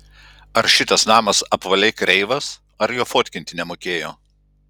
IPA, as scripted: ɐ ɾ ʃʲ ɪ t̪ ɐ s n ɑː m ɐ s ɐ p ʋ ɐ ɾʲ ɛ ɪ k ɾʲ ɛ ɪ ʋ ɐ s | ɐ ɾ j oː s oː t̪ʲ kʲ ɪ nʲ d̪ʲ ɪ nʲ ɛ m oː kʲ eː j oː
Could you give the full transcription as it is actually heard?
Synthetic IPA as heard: ɐ ɾ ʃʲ ɪ t̪ ɐ s n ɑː m ɐ s ɐ p ʋ ɐ lʲ ɛ ɪ k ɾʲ ɛ ɪ ʋ ɐ s | ɐ ɾ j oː f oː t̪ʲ kʲ ɪ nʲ t̪ʲ ɪ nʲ ɛ m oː kʲ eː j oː